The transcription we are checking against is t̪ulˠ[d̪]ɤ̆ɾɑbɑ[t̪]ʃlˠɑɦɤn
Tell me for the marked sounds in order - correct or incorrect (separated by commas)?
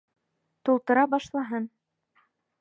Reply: incorrect, incorrect